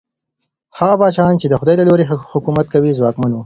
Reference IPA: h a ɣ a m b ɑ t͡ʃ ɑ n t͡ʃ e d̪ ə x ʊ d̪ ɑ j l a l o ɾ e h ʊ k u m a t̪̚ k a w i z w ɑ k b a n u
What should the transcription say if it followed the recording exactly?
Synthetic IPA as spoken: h a ɣ a b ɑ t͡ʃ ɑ n t͡ʃ e d̪ ə x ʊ d̪ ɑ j l a l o ɾ e h ʊ k u m a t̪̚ k a w i z w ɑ k m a n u